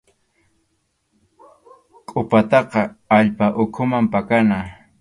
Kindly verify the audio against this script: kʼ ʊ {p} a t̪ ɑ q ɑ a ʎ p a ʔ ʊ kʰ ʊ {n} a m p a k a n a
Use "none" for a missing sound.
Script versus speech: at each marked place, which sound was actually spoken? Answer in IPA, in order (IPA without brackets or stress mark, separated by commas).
p, m